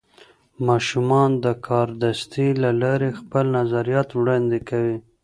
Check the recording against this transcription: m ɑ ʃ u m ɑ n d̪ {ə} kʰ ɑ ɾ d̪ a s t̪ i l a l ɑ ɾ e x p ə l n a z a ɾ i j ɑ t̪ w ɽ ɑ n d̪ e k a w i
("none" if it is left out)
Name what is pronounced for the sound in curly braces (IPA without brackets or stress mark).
ə